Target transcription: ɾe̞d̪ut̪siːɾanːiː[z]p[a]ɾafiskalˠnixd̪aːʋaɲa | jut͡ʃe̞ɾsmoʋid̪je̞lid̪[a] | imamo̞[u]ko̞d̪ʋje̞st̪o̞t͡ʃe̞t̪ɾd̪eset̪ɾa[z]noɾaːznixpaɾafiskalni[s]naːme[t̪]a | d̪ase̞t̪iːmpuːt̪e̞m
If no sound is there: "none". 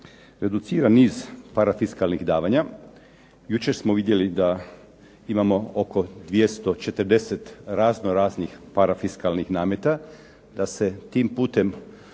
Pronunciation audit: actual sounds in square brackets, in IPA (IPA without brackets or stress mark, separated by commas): z, a, a, o, z, x, t̪